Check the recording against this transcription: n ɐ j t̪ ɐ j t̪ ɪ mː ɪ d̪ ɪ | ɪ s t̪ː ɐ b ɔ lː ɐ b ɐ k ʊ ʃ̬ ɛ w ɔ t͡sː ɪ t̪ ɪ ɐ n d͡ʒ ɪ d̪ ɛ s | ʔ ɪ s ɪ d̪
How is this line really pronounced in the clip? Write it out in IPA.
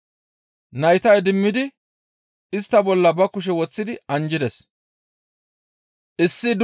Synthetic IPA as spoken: n ɐ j t̪ ɐ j d̪ ɪ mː ɪ d̪ ɪ | ɪ s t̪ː ɐ b ɔ lː ɐ b ɐ k ʊ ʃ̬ ɛ w ɔ t͡sː ɪ d̪ ɪ ɐ n d͡ʒ ɪ d̪ ɛ s | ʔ ɪ sː ɪ d̪